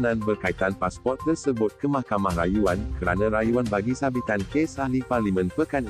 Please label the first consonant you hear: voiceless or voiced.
voiced